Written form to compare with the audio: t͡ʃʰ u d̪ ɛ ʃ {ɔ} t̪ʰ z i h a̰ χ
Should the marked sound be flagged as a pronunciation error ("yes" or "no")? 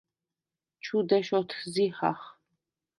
no